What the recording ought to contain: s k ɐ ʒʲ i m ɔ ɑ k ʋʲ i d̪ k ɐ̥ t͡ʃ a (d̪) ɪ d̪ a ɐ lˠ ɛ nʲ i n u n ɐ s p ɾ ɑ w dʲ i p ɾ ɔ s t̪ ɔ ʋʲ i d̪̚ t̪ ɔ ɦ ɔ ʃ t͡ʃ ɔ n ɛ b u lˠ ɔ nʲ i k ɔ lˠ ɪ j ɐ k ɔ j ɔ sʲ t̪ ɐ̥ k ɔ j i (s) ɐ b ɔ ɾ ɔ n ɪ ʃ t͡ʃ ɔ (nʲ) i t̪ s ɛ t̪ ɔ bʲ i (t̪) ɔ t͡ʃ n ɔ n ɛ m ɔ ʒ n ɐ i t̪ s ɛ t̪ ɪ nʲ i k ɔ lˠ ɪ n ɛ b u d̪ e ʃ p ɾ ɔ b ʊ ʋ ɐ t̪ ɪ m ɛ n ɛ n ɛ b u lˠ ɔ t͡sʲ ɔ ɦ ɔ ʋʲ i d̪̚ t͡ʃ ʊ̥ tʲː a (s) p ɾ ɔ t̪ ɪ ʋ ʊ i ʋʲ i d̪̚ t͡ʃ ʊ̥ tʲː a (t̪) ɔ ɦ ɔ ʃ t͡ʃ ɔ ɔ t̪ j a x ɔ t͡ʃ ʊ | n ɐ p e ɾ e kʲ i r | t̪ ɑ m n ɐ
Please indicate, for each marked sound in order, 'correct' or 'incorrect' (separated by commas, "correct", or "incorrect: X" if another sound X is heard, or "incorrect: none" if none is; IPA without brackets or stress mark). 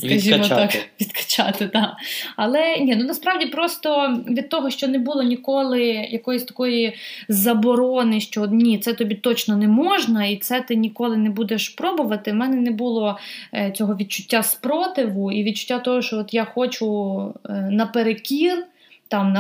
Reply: incorrect: t̪, incorrect: z, correct, correct, correct, correct